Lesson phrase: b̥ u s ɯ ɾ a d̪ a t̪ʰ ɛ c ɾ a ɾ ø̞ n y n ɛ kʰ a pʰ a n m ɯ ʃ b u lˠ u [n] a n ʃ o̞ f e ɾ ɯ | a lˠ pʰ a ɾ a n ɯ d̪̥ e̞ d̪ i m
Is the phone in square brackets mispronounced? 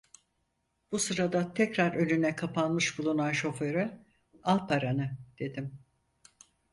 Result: no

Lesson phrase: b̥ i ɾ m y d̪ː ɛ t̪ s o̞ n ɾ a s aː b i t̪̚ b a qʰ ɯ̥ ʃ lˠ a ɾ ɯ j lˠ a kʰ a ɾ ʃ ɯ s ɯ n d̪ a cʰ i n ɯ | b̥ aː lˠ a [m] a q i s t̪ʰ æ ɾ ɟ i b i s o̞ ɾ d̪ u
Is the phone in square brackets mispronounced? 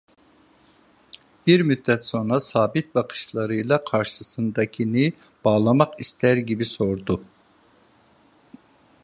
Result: no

